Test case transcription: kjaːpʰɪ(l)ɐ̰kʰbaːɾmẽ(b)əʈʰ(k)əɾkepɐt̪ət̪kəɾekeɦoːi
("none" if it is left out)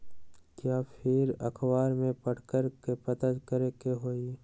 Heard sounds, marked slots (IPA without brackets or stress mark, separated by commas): ɾ, p, k